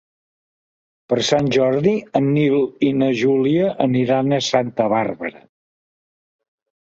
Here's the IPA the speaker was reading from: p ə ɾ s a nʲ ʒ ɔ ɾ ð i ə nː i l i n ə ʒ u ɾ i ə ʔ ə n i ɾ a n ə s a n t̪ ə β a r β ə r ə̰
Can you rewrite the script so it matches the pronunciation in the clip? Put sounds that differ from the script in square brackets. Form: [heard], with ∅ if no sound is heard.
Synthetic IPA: p ə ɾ s a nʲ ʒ ɔ ɾ ð i ə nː i l i n ə ʒ u [l] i ə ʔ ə n i ɾ a n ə s a n t̪ ə β a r β ə [ɾ] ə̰